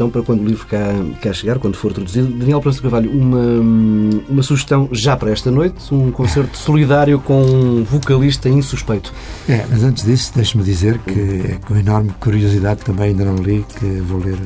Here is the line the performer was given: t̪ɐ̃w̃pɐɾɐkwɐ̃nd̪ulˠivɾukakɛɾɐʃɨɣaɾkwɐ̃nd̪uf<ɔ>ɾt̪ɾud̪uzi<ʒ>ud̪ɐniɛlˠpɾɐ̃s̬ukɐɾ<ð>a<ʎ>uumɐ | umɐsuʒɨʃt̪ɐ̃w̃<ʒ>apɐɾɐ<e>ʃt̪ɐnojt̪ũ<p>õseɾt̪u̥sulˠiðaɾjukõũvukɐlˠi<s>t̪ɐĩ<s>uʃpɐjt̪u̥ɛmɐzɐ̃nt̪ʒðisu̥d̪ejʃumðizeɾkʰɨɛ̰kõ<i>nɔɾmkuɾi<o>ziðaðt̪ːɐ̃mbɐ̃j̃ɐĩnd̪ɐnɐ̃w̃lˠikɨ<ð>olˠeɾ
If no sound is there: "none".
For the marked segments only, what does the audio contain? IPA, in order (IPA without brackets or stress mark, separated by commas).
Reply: o, ð, v, ʎ, ʒ, ɛ, k, ʃ, s, i, u, v